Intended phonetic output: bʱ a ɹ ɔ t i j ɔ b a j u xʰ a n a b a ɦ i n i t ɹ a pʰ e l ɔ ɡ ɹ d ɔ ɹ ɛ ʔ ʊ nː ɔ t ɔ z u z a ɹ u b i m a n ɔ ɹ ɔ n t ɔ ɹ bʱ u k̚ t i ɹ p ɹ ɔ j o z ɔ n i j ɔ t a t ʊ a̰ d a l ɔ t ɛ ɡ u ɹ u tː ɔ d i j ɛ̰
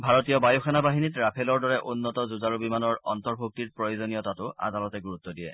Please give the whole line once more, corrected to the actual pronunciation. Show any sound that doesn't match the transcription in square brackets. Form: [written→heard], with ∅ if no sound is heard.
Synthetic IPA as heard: bʱ a ɹ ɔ t i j ɔ b a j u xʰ a n a b a ɦ i n i t ɹ a pʰ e l ɔ [ɡ→∅] ɹ d ɔ ɹ ɛ ʔ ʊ nː ɔ t ɔ z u z a ɹ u b i m a n ɔ ɹ ɔ n t ɔ ɹ bʱ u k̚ t i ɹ p ɹ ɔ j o z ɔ n i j ɔ t a t ʊ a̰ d a l ɔ t ɛ ɡ u ɹ u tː ɔ d i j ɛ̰